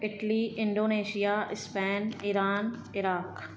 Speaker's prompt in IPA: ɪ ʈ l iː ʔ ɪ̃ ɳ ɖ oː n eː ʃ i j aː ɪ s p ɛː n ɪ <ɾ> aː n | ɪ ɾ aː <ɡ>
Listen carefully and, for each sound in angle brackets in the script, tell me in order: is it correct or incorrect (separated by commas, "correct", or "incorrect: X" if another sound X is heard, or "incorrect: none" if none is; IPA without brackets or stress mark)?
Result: correct, incorrect: k